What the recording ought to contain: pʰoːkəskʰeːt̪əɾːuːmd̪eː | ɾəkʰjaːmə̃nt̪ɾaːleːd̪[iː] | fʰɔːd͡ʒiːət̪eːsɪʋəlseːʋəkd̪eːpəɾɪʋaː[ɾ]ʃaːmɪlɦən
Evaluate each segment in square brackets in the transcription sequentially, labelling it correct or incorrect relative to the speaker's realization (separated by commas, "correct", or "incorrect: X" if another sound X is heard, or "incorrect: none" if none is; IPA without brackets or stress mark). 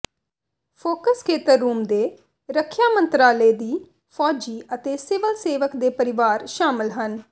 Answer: correct, correct